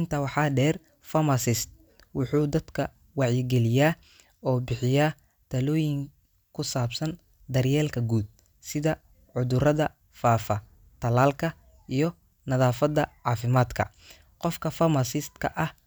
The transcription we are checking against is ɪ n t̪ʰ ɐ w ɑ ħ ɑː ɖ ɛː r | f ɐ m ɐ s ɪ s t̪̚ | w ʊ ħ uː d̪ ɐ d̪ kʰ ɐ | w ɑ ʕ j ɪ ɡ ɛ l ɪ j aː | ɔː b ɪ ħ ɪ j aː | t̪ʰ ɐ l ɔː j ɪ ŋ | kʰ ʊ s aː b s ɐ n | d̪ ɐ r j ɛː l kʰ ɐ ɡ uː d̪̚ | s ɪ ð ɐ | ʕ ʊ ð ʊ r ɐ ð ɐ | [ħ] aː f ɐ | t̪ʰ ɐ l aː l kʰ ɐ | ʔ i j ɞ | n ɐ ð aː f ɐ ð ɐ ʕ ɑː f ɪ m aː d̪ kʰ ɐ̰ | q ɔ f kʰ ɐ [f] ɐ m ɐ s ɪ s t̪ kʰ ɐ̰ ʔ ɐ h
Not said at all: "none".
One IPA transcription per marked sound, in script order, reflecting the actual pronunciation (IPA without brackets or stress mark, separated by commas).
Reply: f, f